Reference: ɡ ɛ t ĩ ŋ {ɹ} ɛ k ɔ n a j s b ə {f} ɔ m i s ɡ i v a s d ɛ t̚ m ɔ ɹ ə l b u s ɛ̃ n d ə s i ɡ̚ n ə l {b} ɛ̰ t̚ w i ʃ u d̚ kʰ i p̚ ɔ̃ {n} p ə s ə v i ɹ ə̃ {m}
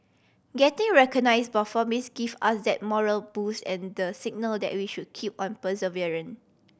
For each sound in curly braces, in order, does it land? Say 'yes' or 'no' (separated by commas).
yes, yes, no, yes, no